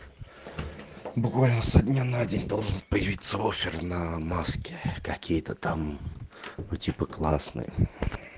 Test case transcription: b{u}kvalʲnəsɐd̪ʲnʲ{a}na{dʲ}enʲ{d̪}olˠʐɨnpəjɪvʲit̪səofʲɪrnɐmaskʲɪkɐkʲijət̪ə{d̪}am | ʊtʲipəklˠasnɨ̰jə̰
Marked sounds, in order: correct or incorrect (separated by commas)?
incorrect, correct, correct, correct, incorrect